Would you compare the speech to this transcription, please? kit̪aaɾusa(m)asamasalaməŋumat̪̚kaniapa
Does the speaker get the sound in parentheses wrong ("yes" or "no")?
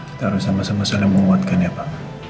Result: no